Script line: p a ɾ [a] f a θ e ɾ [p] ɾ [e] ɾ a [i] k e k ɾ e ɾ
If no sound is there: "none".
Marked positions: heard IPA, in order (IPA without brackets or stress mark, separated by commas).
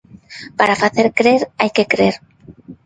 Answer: a, k, e, j